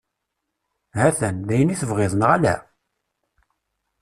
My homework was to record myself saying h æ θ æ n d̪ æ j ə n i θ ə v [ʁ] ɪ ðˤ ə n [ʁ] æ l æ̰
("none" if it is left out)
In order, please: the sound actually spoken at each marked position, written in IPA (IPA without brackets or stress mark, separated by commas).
ʁ, ʁ